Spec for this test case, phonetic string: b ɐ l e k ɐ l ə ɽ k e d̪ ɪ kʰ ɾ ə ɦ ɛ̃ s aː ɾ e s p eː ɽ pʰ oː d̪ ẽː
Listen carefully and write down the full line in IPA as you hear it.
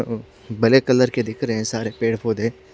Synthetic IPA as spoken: b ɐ l e k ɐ l ə ɾ k e d̪ ɪ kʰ ɾ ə ɦ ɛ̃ s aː ɾ e p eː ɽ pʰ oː d̪ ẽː